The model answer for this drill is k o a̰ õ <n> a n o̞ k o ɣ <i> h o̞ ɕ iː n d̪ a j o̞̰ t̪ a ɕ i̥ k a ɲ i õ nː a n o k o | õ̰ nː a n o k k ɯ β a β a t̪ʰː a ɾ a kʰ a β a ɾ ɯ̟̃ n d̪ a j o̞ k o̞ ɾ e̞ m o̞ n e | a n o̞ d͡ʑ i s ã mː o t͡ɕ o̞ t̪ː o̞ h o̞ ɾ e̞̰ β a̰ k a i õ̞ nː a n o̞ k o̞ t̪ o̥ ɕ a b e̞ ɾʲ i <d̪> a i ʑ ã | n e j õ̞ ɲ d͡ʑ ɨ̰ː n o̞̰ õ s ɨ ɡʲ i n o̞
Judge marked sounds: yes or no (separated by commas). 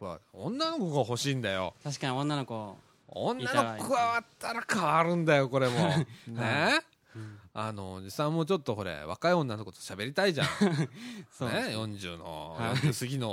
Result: no, no, no